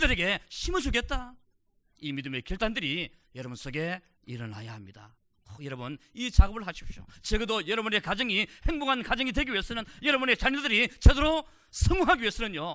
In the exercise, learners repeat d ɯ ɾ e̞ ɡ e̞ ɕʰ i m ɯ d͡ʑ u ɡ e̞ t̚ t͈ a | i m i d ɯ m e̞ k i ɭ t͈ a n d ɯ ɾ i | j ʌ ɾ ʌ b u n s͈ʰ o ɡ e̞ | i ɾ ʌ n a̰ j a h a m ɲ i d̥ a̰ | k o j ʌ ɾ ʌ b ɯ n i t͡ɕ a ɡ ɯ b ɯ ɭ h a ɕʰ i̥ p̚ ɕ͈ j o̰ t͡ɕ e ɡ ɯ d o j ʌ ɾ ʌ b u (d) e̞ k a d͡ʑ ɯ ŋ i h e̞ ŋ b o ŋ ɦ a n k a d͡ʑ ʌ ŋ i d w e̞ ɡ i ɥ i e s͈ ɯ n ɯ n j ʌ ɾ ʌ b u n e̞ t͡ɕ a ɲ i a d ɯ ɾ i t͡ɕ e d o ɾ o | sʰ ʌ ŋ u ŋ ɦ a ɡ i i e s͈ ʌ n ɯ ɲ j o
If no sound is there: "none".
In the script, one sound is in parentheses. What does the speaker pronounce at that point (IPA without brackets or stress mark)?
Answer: n